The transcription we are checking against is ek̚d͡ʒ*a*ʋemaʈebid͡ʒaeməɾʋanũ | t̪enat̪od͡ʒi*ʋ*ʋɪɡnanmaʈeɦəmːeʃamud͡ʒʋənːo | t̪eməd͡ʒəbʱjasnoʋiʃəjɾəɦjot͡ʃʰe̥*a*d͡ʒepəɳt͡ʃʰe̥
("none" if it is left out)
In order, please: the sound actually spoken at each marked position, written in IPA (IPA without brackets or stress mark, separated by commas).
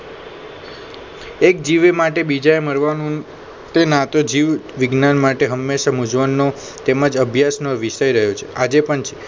i, ʋ, a